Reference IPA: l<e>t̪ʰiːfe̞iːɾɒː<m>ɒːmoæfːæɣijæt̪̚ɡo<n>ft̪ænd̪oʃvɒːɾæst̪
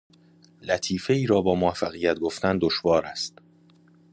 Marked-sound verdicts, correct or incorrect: incorrect, incorrect, incorrect

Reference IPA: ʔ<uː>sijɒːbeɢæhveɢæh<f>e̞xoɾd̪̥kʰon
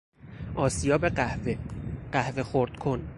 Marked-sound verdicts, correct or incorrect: incorrect, incorrect

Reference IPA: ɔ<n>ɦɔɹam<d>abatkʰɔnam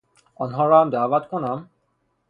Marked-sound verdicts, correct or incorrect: correct, correct

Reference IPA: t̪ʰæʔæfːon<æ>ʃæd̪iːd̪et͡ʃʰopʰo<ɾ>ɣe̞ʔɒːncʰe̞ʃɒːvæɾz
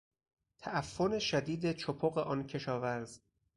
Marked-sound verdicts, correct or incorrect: incorrect, incorrect

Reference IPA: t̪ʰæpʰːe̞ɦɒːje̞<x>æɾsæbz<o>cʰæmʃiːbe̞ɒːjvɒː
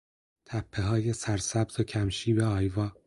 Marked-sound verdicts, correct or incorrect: incorrect, correct

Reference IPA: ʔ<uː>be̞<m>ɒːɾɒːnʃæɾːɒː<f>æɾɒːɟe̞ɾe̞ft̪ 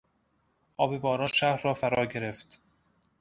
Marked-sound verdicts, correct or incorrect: incorrect, incorrect, correct

